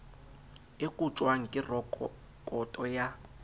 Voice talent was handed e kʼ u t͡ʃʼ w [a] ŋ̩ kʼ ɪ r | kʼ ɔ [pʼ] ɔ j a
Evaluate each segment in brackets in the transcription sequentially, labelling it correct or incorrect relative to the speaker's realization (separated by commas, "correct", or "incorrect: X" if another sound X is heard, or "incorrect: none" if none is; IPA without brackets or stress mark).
correct, incorrect: tʼ